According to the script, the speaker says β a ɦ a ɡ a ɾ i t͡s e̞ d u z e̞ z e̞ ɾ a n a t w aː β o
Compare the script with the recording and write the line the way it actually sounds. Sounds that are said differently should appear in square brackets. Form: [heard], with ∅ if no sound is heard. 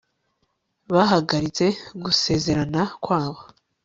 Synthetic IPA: β a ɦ a ɡ a ɾ i t͡s e̞ [ɡ] u [s] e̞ z e̞ ɾ a n a [k] w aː β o